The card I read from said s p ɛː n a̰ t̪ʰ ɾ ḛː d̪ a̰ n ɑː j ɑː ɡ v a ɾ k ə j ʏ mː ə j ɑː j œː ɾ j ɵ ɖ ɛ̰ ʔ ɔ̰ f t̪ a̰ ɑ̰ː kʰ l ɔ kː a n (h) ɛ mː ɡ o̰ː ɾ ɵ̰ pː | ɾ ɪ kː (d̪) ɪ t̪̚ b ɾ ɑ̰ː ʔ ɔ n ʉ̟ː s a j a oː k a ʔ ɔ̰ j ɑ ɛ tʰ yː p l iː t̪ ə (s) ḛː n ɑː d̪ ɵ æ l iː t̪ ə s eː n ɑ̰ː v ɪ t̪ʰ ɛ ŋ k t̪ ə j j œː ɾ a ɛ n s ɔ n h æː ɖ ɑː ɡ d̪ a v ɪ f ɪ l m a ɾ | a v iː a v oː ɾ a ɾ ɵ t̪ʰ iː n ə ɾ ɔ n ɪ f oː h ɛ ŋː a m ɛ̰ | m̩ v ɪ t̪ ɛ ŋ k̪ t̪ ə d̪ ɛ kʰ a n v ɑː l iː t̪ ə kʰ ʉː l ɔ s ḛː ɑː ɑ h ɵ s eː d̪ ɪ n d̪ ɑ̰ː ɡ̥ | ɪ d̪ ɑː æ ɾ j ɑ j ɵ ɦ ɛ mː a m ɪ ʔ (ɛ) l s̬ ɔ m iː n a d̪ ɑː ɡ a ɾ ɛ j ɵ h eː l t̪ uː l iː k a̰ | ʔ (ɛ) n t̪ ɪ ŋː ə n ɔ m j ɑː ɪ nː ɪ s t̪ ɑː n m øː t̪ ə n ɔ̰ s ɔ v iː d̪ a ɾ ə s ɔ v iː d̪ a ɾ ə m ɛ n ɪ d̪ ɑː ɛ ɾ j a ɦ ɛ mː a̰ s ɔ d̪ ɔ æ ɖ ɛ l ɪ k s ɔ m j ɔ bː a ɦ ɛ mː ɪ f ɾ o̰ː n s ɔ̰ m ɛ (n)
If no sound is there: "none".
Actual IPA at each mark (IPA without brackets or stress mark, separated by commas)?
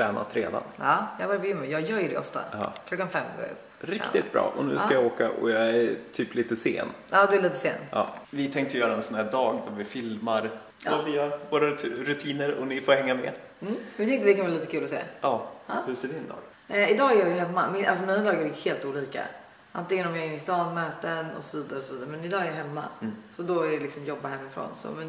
f, t̪, s, a, a, n